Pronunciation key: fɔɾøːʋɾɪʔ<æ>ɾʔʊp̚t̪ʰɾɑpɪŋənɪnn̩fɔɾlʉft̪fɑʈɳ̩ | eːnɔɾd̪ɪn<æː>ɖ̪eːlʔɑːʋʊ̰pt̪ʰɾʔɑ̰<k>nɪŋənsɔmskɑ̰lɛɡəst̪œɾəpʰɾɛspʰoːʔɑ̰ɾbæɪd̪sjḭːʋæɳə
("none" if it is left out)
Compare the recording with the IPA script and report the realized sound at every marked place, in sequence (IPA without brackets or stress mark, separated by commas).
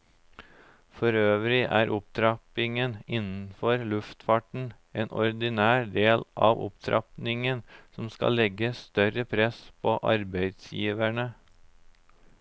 æː, æː, p